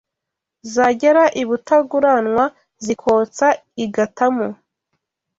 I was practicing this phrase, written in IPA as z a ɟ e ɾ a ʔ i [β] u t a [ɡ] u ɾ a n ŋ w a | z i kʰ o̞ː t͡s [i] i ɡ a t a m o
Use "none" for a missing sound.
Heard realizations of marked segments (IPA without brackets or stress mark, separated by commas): β, ɡ, a